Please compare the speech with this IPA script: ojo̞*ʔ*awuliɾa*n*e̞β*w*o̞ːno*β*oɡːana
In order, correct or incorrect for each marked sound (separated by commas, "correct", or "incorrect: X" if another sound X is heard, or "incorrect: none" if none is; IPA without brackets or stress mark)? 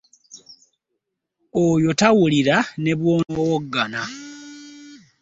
incorrect: t, correct, correct, incorrect: w